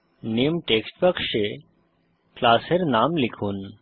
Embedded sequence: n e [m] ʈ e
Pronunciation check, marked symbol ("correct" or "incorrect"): correct